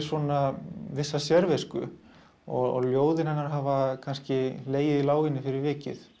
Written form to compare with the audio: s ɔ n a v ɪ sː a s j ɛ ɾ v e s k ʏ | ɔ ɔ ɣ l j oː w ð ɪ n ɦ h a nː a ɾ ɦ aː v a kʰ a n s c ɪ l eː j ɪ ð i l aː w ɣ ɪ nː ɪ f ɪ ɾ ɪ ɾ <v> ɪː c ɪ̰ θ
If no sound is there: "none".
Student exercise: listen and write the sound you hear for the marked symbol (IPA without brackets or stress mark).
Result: v